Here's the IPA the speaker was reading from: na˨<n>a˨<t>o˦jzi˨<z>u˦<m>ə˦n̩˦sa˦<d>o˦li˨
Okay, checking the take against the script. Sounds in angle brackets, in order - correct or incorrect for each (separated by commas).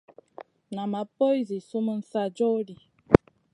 incorrect, incorrect, incorrect, correct, incorrect